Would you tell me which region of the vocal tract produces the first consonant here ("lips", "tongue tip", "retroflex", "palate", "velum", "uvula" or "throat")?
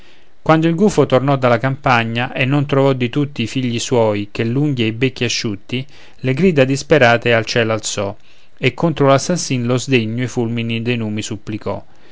velum